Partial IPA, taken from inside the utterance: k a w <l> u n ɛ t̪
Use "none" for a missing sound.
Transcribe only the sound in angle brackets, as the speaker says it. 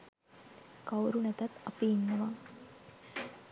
ɾ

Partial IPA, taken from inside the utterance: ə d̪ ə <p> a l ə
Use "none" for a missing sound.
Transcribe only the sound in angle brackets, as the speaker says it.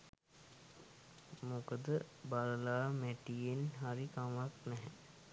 b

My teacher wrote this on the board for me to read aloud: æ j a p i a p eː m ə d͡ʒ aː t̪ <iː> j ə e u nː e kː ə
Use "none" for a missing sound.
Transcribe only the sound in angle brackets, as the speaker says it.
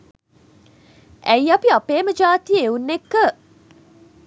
i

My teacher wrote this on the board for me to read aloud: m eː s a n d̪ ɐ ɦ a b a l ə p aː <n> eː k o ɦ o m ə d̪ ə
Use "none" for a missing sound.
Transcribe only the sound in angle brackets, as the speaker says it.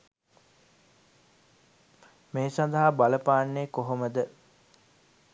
nː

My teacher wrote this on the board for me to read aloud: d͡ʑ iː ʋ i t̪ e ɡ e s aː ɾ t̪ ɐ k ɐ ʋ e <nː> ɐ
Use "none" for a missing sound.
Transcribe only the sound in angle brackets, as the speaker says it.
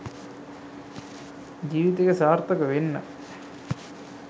nː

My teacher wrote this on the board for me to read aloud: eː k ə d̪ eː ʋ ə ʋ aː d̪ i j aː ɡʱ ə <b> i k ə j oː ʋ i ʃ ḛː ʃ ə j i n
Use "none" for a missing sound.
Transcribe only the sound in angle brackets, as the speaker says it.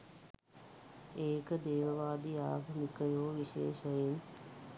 m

